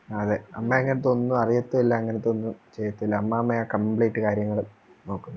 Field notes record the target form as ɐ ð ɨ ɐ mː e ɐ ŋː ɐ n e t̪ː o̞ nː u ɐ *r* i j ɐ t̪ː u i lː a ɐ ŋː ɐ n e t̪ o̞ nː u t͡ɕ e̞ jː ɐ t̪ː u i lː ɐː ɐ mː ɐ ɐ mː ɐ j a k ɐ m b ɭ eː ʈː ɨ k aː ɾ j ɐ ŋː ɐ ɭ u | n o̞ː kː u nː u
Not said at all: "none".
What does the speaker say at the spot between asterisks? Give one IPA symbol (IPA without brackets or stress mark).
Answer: r